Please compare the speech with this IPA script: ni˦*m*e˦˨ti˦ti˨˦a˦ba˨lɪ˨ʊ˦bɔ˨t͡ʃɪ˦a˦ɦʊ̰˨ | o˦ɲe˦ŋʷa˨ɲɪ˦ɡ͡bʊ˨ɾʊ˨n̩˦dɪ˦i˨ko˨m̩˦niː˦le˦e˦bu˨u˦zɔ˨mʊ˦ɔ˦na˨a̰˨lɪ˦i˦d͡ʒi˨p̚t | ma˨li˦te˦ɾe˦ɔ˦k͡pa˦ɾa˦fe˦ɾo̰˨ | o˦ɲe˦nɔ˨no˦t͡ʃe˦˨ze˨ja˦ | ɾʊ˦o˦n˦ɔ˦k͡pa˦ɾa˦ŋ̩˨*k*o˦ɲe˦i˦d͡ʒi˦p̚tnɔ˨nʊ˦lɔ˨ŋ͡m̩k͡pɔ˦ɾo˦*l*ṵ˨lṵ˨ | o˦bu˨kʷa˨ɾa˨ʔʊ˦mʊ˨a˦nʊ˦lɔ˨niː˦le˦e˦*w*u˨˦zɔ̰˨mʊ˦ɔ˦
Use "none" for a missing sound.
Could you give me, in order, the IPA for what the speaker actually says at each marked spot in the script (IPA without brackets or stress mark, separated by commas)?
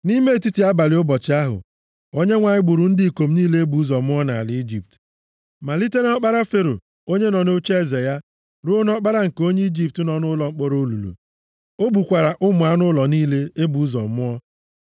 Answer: m, k, l, b